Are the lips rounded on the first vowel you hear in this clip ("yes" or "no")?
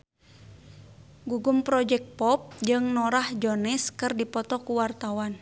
yes